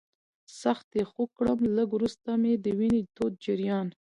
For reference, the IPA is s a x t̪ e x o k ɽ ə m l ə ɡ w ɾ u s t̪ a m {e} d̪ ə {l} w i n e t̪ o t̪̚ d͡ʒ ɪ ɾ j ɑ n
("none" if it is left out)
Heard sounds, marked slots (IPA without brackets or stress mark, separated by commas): e, none